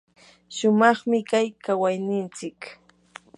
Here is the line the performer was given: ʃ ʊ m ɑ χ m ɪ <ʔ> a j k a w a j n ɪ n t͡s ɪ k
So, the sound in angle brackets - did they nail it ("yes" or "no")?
no